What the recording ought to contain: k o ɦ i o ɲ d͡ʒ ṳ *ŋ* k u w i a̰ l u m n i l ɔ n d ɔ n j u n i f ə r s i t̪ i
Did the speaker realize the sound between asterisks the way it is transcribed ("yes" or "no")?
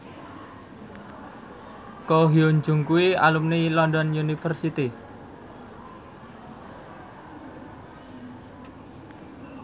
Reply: yes